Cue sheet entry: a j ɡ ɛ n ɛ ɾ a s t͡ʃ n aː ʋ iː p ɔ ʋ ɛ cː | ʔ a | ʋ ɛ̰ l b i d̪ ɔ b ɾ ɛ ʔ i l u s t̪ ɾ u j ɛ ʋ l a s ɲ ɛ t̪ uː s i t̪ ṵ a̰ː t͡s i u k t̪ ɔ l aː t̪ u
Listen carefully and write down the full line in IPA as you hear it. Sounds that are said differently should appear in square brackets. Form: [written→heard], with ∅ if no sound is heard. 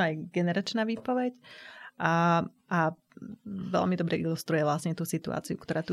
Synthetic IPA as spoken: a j ɡ ɛ n ɛ ɾ a [s→∅] t͡ʃ n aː ʋ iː p ɔ ʋ ɛ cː | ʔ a | ʋ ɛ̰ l [b→m] i d̪ ɔ b ɾ ɛ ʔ i l u s t̪ ɾ u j ɛ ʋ l a s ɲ ɛ t̪ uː s i t̪ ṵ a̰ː t͡s i u k t̪ ɔ [l→ɾ] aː t̪ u